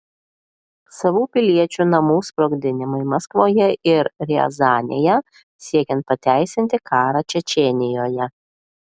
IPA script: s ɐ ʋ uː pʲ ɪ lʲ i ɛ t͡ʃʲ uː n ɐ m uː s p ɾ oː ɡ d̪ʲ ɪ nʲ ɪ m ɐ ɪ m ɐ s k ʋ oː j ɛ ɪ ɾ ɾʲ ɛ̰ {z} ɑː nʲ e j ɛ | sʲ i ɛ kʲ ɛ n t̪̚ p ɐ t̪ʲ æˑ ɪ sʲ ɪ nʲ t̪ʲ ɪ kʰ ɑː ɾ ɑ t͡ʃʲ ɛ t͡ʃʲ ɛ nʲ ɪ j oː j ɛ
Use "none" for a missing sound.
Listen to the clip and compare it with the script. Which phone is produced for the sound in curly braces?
z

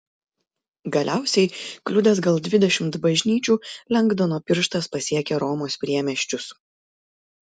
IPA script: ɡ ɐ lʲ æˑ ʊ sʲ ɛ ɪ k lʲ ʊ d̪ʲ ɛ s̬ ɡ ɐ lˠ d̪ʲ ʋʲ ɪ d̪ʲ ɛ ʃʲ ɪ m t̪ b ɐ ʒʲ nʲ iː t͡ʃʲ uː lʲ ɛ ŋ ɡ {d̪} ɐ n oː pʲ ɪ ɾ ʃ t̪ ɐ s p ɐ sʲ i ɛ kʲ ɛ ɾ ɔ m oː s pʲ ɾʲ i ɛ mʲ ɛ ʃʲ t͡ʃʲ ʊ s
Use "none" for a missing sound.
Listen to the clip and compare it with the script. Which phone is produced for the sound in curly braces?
d̪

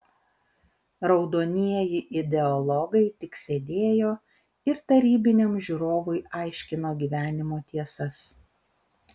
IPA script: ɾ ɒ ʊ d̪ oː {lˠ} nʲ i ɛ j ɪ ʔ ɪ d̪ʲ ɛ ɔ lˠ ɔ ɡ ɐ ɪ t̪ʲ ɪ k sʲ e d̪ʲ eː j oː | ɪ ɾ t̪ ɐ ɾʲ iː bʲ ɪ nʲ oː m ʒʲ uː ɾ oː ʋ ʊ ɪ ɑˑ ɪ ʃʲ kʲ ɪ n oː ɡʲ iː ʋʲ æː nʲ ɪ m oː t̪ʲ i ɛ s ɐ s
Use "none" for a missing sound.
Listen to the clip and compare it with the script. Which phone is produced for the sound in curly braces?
none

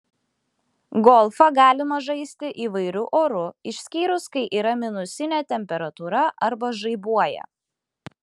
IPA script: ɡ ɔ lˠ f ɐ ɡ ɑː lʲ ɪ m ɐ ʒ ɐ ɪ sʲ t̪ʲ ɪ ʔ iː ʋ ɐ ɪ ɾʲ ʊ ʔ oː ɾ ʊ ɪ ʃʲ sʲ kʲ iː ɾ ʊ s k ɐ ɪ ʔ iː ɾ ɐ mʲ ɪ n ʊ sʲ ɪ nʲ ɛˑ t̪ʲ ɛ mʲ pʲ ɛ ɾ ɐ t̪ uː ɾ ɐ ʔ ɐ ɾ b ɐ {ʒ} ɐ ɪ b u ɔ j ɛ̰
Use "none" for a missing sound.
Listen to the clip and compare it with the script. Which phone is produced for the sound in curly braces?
ʒ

